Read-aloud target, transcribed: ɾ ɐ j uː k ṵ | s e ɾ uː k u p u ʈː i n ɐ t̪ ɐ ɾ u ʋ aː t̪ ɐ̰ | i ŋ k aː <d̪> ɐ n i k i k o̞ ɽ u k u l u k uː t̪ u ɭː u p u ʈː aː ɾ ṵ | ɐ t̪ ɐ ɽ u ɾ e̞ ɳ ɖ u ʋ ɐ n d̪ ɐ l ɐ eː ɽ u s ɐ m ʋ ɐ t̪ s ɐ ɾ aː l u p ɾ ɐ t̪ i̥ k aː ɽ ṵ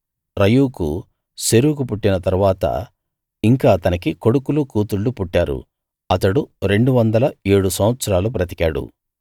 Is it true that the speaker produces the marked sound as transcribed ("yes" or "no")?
no